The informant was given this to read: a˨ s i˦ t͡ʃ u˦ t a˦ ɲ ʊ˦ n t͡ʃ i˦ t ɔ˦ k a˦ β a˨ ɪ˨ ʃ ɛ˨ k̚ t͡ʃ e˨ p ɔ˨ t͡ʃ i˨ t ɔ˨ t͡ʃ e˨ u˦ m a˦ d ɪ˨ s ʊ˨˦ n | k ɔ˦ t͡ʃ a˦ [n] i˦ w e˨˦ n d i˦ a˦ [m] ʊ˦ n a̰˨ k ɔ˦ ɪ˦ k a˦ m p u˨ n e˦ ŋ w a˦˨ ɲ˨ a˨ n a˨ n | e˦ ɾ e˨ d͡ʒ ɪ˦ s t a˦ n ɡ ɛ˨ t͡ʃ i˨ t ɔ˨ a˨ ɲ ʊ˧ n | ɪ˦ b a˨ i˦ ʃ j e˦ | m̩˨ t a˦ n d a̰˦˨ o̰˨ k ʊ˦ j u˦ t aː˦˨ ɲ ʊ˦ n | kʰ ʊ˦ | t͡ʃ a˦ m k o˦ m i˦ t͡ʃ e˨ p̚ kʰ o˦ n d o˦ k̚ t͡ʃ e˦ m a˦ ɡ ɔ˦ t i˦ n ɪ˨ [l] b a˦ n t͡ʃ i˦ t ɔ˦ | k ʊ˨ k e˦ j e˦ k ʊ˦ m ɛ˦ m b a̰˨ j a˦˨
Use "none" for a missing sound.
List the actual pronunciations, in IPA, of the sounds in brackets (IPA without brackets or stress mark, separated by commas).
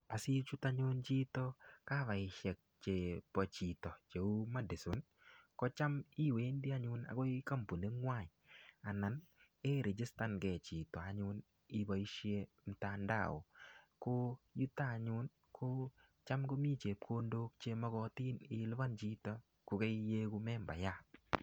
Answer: m, ɲ, l